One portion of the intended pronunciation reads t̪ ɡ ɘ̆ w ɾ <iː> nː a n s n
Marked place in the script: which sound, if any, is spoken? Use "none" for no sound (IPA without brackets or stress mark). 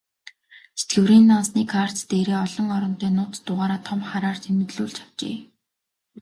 iː